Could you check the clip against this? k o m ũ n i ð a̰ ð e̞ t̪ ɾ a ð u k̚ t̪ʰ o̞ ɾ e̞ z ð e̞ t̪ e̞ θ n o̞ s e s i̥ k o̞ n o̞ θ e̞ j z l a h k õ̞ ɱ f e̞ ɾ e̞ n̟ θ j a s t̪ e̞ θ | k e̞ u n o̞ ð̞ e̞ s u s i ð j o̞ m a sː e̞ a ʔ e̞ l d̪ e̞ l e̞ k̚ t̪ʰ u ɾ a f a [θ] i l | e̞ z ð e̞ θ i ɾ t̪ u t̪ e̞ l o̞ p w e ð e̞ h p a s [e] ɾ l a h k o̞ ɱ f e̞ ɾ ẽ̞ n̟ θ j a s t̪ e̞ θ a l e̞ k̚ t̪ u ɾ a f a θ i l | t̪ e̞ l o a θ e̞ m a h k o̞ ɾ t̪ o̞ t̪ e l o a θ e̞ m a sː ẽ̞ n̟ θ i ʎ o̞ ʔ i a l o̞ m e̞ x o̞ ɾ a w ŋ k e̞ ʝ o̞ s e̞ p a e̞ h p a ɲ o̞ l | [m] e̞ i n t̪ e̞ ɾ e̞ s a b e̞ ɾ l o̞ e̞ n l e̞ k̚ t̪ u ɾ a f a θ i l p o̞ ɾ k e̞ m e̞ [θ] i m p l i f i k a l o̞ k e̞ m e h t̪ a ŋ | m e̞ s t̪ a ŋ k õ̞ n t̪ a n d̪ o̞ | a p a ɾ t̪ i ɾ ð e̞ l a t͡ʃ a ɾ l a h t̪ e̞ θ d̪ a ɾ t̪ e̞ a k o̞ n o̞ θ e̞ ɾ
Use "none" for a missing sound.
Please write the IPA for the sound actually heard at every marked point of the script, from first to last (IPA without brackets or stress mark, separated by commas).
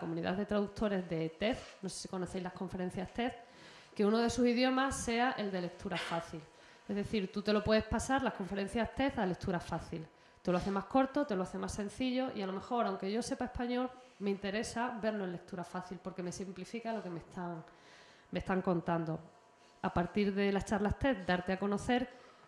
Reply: θ, a, m, s